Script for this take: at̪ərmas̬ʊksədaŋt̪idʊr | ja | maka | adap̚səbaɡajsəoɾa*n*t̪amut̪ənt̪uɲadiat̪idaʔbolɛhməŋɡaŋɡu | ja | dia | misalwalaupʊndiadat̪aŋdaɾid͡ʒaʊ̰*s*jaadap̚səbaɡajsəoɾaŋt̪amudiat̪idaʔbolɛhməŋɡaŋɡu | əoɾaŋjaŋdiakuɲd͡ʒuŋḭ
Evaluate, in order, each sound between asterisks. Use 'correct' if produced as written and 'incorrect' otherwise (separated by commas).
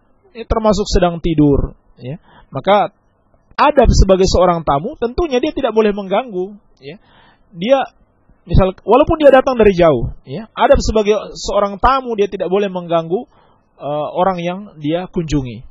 incorrect, incorrect